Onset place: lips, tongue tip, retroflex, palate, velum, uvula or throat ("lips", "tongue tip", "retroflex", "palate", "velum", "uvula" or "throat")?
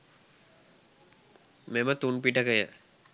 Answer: lips